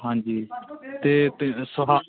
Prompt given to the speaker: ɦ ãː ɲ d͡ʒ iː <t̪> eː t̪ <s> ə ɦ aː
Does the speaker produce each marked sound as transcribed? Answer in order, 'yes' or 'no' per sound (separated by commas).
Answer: yes, yes